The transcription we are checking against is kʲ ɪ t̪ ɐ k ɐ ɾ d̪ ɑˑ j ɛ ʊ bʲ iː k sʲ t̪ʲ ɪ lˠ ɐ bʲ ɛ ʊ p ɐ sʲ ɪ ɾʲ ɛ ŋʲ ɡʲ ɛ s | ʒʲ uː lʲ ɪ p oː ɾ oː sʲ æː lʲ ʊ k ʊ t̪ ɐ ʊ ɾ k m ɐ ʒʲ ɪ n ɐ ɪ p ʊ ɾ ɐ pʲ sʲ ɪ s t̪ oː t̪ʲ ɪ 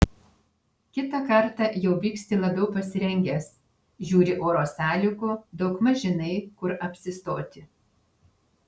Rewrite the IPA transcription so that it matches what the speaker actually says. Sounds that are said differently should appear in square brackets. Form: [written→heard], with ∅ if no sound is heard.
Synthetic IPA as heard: kʲ ɪ t̪ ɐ k ɐ ɾ [d̪→t̪] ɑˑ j ɛ ʊ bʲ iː k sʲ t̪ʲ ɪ lˠ ɐ bʲ ɛ ʊ p ɐ sʲ ɪ ɾʲ ɛ ŋʲ ɡʲ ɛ s | ʒʲ uː [lʲ→ɾʲ] ɪ [p→ʔ] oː ɾ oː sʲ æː lʲ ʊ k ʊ [t̪→d̪] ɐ ʊ [ɾ→∅] k m ɐ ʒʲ ɪ n ɐ ɪ [p→k] ʊ ɾ ɐ pʲ sʲ ɪ s t̪ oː t̪ʲ ɪ

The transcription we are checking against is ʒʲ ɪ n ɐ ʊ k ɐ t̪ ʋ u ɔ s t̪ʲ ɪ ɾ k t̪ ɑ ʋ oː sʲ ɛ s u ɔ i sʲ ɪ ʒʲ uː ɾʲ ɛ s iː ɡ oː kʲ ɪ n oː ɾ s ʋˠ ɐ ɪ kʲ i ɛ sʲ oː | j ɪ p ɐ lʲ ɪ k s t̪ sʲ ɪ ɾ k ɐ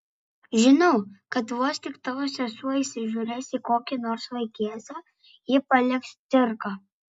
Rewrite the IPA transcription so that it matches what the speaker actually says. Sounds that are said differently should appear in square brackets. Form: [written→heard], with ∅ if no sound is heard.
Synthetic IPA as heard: ʒʲ ɪ n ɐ ʊ k ɐ t̪ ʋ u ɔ s t̪ʲ ɪ [ɾ→∅] k t̪ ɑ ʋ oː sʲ ɛ s u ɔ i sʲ ɪ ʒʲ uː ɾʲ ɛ s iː [ɡ→k] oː kʲ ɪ n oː ɾ s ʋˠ ɐ ɪ kʲ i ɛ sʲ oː | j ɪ p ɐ lʲ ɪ k s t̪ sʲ ɪ ɾ k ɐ

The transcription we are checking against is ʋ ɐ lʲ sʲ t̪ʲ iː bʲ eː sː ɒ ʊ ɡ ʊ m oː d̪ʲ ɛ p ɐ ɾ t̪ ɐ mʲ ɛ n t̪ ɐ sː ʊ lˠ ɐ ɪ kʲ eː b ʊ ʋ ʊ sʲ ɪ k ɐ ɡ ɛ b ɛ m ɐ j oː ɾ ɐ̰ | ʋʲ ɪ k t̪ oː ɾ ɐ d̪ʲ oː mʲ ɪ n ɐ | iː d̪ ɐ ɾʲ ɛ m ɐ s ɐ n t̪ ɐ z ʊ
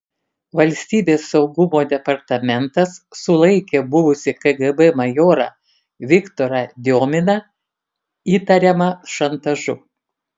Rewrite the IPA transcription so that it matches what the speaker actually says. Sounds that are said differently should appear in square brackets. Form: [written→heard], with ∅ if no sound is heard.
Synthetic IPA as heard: ʋ ɐ lʲ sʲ t̪ʲ iː bʲ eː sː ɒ ʊ ɡ ʊ m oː d̪ʲ ɛ p ɐ ɾ t̪ ɐ mʲ ɛ n t̪ ɐ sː ʊ lˠ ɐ ɪ kʲ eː b ʊ ʋ ʊ sʲ ɪ k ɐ ɡ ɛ b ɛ m ɐ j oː ɾ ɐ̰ | ʋʲ ɪ k t̪ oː ɾ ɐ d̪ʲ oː mʲ ɪ n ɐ | iː [d̪→t̪] ɐ ɾʲ ɛ m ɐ [s→ʃ] ɐ n t̪ ɐ [z→ʒ] ʊ

